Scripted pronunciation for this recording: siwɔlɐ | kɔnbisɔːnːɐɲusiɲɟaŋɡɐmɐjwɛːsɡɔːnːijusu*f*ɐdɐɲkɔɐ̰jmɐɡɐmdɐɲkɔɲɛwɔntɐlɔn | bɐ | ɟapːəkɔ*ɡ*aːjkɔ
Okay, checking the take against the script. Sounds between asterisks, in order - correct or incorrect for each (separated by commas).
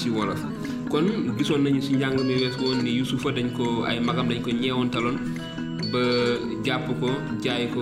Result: correct, incorrect